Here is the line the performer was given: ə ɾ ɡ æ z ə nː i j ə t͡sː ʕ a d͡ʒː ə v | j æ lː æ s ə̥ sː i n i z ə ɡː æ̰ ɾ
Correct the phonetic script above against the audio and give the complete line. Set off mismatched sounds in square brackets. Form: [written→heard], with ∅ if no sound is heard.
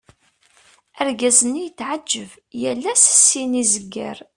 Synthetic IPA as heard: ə ɾ ɡ æ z ə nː i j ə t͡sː ʕ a d͡ʒː ə v | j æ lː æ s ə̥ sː i n i z ə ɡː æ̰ ɾ